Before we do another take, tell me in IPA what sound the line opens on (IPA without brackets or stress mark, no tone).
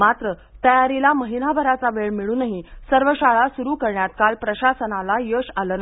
m